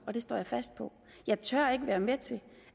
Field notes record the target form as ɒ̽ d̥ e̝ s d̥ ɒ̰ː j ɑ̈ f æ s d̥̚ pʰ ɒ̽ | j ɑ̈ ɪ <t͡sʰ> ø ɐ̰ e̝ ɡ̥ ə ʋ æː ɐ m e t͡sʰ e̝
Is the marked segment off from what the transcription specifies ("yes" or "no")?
no